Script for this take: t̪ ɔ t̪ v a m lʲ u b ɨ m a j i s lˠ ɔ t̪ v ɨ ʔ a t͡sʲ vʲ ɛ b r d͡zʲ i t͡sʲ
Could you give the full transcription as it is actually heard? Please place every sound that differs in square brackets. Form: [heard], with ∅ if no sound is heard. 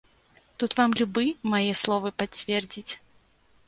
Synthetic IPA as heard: t̪ [u] t̪ v a m lʲ u b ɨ m a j [ɛ] s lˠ ɔ [∅] v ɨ [p] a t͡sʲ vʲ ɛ [∅] r d͡zʲ i t͡sʲ